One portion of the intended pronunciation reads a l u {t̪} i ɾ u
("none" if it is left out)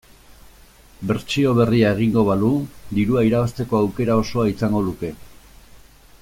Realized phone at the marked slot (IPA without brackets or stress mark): d̪